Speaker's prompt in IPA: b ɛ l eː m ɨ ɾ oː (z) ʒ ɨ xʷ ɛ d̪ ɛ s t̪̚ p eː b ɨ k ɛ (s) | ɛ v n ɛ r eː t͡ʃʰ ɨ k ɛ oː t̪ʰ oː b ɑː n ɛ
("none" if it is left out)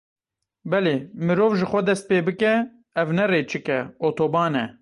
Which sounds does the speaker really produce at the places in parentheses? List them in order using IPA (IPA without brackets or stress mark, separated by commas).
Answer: v, none